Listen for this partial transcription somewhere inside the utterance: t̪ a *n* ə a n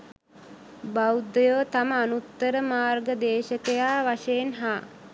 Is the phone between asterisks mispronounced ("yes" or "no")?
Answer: yes